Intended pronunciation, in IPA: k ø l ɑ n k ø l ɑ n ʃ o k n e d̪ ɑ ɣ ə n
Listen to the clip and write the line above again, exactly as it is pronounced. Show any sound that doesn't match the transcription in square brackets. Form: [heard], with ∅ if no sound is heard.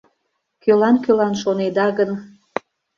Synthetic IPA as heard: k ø l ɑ n k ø l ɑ n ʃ o [∅] n e d̪ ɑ ɣ ə n